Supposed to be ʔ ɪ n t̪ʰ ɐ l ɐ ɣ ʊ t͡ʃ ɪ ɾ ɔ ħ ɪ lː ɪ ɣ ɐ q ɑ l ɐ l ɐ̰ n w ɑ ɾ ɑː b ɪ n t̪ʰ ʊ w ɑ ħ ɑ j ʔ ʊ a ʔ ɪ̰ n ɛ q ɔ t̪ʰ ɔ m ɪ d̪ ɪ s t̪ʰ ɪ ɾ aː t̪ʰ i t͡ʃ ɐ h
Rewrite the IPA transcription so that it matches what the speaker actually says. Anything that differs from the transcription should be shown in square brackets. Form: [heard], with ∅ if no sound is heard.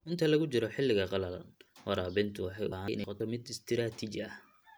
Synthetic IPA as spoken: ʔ ɪ n t̪ʰ ɐ l ɐ ɣ ʊ t͡ʃ ɪ ɾ ɔ ħ ɪ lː ɪ ɣ ɐ q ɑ l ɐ l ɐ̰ n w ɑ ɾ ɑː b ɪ n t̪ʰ ʊ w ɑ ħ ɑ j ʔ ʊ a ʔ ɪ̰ n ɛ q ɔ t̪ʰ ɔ m ɪ d̪ ɪ s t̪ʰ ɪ ɾ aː t̪ʰ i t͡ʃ ɐ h